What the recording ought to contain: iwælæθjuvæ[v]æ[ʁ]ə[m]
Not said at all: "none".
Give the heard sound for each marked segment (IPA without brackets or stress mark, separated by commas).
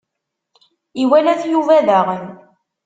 ð, ʁ, n